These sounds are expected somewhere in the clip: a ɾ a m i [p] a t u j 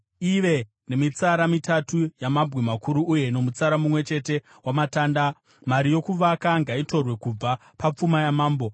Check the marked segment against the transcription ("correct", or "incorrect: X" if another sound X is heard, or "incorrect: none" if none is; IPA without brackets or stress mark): incorrect: t